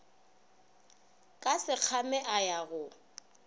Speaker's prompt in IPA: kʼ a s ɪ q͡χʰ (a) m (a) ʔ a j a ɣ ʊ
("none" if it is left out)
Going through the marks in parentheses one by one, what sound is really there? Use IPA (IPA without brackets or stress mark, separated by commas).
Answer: a, ɛ